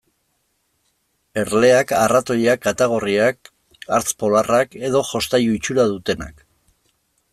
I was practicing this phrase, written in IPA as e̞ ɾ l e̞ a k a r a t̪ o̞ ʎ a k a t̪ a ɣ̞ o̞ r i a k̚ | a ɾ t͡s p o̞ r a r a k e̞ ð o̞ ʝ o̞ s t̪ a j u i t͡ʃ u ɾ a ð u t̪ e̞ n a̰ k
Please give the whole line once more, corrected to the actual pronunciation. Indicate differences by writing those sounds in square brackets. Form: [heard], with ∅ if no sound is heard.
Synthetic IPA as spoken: e̞ ɾ l e̞ a k a r a t̪ o̞ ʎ a k a t̪ a ɣ̞ o̞ r i a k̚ | a ɾ t͡s p o̞ [l] a r a k e̞ ð o̞ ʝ o̞ s t̪ a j u i t͡ʃ u ɾ a ð u t̪ e̞ n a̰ k